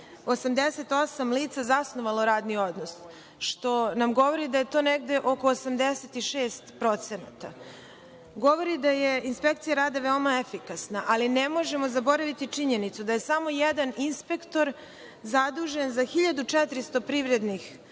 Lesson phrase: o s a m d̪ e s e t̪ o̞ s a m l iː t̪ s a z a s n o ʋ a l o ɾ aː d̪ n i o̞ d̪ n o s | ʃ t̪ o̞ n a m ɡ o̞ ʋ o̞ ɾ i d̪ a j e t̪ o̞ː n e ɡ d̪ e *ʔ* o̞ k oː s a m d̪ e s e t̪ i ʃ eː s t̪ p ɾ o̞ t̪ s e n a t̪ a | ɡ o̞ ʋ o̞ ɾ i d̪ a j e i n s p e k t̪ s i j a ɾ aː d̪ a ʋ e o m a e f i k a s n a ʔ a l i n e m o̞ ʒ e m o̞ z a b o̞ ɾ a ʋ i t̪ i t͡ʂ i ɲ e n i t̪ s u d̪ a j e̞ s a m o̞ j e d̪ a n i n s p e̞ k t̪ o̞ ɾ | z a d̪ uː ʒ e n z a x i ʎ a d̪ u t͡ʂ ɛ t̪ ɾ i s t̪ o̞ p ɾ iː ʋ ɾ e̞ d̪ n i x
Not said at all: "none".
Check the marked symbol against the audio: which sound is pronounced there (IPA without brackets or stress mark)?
ʔ